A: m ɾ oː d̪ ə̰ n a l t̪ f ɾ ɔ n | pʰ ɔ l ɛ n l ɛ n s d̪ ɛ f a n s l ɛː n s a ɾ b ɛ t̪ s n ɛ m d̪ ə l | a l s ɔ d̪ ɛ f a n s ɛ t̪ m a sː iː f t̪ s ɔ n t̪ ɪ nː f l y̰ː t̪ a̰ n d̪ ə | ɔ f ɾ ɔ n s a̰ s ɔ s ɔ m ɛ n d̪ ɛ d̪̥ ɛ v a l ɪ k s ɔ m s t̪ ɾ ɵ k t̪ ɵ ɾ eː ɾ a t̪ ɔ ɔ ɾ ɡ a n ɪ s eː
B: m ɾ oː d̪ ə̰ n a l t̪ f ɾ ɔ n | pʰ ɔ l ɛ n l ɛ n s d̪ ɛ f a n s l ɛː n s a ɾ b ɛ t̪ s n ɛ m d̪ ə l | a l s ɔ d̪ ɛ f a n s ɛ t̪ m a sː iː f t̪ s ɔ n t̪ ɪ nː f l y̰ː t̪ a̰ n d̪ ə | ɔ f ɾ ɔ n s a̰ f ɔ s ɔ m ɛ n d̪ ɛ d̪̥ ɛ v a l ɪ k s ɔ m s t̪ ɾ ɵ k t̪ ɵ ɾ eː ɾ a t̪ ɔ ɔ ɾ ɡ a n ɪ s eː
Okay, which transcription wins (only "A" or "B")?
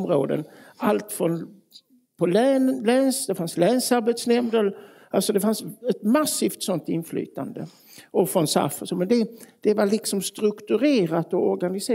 B